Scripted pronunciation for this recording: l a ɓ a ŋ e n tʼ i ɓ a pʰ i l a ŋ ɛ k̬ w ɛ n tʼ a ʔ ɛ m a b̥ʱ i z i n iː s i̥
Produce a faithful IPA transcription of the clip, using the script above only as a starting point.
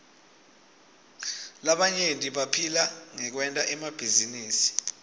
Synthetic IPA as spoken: l a ɓ a ɲ e n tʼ i ɓ a pʰ i l a ŋ ɛ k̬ w ɛ n tʼ a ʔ ɛ m a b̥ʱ i z i n iː s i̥